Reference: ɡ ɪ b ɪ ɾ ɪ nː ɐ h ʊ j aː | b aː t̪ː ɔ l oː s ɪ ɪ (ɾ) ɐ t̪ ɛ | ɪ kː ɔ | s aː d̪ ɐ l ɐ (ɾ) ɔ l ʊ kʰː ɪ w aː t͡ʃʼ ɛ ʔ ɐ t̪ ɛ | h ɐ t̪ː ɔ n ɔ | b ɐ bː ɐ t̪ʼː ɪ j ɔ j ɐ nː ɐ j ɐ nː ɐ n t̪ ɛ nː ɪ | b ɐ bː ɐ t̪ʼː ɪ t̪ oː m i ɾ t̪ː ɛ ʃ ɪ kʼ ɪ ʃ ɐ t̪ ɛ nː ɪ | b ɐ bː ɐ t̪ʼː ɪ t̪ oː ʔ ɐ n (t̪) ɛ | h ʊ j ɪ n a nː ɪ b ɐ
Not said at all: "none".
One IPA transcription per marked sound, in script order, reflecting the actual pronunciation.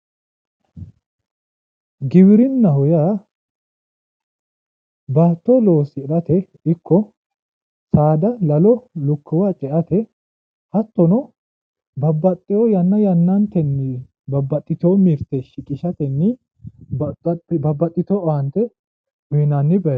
ɾ, l, t̪

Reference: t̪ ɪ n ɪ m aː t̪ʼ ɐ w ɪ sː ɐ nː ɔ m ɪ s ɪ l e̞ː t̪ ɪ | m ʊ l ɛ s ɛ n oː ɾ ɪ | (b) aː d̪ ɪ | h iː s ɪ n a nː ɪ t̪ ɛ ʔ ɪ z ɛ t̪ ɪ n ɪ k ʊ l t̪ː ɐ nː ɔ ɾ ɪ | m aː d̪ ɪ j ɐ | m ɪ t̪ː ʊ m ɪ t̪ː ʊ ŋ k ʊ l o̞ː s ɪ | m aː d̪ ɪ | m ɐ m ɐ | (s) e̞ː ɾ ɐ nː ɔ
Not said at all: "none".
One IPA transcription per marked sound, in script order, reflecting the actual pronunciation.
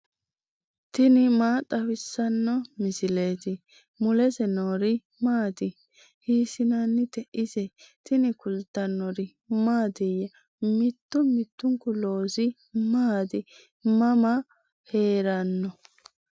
m, h

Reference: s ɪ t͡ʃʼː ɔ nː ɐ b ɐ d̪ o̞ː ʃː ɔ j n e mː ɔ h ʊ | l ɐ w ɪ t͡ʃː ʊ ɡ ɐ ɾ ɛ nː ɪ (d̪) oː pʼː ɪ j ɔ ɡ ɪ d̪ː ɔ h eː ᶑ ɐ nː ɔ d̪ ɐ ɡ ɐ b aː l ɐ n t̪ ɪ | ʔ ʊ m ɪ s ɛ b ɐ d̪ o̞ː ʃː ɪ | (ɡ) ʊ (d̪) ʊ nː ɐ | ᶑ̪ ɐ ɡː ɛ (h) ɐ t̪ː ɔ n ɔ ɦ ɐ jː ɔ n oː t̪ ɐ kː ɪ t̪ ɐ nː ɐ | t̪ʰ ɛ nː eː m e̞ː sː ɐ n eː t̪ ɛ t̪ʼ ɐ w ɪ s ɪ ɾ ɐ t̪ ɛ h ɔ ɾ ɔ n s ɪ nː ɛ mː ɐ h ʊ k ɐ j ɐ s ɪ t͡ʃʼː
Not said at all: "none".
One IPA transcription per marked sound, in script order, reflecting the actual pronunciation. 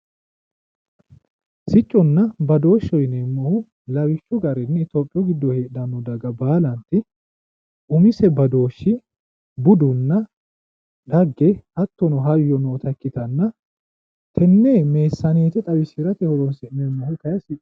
t̪, b, d̪, h

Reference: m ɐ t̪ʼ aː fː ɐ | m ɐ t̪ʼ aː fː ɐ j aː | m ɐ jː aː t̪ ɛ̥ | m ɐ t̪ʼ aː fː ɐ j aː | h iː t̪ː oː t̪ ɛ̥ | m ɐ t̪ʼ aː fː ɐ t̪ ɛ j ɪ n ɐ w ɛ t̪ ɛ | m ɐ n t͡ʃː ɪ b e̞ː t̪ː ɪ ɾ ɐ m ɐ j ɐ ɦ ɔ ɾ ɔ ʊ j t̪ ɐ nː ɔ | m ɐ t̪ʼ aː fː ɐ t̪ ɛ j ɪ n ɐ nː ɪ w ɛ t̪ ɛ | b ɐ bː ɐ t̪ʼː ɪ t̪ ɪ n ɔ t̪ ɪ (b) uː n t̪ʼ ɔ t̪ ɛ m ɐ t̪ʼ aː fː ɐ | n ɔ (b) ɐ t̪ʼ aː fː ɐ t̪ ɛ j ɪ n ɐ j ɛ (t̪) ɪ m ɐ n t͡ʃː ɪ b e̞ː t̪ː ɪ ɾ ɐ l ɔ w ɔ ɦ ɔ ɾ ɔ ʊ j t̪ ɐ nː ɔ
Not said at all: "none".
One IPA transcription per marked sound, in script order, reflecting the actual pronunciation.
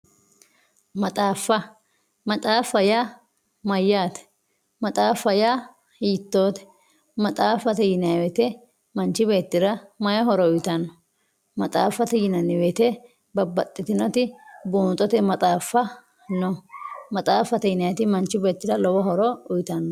b, m, t̪

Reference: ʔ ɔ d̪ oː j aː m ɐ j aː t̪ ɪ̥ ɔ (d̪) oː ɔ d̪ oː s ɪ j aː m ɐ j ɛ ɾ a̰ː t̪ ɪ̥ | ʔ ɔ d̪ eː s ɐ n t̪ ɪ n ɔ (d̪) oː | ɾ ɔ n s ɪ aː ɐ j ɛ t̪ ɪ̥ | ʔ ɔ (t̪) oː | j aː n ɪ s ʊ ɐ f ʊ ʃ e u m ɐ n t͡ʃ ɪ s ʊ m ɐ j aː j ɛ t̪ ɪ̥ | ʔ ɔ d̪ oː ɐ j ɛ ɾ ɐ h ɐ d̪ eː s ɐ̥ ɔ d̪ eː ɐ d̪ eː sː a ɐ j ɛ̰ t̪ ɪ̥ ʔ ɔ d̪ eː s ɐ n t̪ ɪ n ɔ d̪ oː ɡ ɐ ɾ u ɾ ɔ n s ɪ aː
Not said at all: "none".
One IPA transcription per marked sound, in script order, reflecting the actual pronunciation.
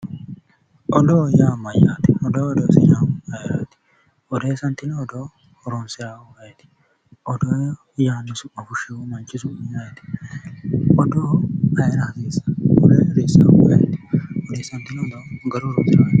d̪, d̪, d̪

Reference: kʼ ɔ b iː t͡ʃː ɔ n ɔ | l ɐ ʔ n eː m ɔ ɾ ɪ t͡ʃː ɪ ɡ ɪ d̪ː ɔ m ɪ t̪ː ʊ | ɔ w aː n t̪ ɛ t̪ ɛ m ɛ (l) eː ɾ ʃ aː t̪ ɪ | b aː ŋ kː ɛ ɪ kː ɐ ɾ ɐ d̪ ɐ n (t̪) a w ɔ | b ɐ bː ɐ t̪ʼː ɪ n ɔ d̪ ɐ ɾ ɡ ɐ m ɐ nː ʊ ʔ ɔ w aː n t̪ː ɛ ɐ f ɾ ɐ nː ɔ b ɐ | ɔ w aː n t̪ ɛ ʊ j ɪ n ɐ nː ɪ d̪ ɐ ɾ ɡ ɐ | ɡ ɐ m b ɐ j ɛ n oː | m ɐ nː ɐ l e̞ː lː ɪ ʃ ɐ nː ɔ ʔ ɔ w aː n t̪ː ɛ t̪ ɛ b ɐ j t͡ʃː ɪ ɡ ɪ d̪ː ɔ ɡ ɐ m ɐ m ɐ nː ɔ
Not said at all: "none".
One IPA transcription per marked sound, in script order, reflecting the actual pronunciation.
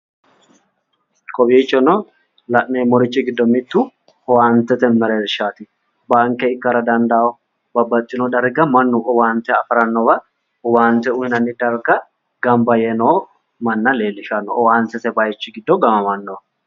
ɾ, d̪

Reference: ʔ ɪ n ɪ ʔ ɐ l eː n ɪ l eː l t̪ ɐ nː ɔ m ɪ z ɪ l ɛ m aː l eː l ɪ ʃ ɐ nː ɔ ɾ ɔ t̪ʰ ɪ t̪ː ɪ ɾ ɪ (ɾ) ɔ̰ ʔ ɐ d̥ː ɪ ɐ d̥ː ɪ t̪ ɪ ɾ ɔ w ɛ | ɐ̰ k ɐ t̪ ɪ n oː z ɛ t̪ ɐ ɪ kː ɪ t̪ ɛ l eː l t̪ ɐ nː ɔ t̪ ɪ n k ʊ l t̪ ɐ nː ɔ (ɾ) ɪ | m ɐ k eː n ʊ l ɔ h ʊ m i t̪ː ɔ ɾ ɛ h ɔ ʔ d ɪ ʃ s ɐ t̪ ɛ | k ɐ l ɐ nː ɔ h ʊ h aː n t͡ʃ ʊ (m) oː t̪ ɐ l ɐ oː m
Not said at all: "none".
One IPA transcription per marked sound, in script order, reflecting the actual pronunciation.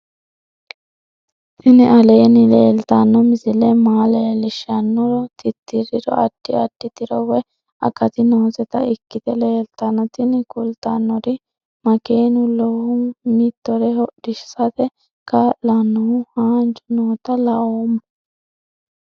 ɾ, ɾ, n

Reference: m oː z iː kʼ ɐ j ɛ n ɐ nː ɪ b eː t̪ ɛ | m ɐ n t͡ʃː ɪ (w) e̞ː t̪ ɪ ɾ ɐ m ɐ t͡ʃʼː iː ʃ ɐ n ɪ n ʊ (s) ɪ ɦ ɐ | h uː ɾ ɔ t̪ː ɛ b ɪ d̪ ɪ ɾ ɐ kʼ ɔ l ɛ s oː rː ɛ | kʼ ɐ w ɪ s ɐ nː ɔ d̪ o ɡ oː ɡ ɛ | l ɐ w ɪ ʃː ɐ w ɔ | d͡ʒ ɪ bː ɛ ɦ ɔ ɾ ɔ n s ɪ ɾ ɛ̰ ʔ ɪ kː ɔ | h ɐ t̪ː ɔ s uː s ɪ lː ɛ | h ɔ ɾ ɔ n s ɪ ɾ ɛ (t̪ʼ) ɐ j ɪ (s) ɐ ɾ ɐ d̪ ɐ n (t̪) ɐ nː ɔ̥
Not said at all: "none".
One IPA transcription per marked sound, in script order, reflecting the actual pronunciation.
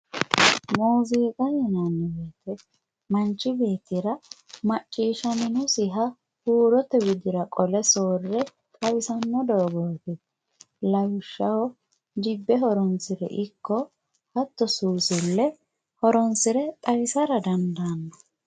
b, s, t̪ʼ, s, d̪

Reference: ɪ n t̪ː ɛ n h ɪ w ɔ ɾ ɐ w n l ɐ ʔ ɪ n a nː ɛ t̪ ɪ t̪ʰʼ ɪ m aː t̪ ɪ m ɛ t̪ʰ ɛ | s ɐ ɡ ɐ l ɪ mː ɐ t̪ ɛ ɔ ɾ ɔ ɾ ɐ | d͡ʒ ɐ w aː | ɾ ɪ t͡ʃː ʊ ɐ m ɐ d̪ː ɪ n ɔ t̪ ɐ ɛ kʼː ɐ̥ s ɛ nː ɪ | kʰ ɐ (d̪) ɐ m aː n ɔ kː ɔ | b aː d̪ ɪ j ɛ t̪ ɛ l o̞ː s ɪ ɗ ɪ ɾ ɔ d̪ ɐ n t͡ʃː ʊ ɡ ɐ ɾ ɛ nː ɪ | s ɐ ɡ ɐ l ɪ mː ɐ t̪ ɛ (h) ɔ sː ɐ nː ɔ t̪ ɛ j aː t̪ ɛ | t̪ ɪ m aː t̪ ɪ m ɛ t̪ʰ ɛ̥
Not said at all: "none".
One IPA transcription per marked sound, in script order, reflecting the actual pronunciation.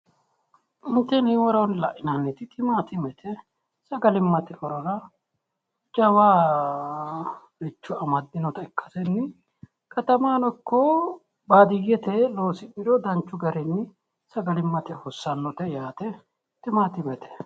t̪, h

